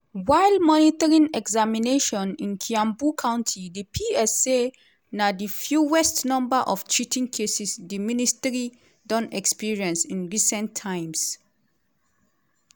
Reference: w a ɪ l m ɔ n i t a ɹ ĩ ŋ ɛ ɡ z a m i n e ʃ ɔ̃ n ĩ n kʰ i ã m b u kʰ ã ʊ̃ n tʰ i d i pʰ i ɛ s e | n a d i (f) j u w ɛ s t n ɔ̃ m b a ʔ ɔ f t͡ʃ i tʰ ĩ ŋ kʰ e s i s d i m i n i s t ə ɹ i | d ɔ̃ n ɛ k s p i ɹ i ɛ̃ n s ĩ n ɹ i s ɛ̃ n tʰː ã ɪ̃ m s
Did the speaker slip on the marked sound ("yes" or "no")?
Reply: no